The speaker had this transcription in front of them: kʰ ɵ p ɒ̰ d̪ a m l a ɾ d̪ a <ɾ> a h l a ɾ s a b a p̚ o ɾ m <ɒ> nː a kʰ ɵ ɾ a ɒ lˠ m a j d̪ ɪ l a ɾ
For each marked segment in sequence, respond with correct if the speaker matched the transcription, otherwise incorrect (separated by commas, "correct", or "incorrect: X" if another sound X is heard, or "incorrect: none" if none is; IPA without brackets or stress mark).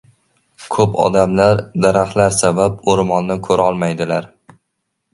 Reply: correct, correct